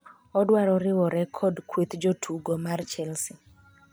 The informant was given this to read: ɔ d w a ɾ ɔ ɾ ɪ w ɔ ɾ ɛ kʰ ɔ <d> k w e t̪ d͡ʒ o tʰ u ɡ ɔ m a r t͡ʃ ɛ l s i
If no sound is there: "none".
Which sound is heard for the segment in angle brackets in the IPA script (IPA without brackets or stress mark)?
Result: d